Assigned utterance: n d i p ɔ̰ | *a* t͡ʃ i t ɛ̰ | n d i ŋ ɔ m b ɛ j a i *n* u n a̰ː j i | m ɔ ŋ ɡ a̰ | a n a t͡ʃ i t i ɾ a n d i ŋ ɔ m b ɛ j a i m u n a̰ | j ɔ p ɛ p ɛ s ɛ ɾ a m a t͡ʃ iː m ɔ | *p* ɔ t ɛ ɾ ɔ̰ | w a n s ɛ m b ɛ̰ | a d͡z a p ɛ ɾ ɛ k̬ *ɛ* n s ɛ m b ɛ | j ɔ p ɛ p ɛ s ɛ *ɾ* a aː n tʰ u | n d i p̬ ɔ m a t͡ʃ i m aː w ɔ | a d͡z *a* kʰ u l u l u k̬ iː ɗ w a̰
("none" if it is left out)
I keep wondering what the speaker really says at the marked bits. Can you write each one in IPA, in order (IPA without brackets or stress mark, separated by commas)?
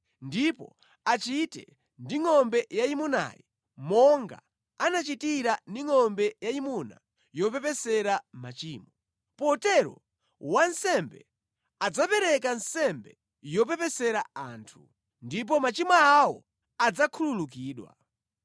a, m, p, a, ɾ, a